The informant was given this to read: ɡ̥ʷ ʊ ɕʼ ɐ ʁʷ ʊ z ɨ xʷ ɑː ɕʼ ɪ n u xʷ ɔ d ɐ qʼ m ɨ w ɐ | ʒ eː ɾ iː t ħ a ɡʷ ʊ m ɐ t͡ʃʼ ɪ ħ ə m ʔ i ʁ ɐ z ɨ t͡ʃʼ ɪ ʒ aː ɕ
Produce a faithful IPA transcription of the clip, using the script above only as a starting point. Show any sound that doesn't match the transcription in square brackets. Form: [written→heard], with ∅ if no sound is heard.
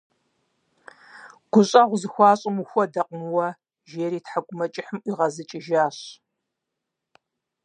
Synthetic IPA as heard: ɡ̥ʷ ʊ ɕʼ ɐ ʁʷ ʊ z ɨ xʷ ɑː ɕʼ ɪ [n→m] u xʷ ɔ d ɐ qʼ m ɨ w ɐ | ʒ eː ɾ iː t ħ a ɡʷ ʊ m ɐ t͡ʃʼ ɪ ħ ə m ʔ i ʁ ɐ z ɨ t͡ʃʼ ɪ ʒ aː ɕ